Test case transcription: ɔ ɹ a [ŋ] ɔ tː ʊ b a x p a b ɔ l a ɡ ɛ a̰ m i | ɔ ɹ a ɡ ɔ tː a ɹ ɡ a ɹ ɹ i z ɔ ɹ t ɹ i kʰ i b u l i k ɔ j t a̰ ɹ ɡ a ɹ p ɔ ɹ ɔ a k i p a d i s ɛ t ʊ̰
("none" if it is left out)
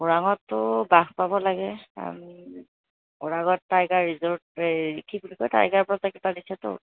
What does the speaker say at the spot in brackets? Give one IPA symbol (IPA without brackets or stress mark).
ŋ